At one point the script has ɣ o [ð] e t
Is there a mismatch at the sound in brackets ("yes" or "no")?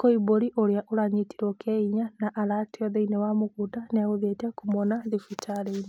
no